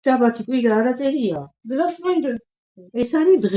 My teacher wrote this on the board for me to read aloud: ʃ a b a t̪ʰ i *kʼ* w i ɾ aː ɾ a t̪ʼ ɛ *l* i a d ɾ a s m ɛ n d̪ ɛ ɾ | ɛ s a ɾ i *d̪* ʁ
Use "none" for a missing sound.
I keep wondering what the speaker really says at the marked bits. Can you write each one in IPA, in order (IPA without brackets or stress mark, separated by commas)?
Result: kʼ, ɾ, d̪